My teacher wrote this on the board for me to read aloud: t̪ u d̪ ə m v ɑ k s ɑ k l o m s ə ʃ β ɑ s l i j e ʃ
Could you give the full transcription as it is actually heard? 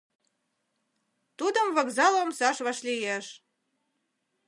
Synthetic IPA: t̪ u d̪ ə m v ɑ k z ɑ l o m s ɑ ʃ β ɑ ʃ l i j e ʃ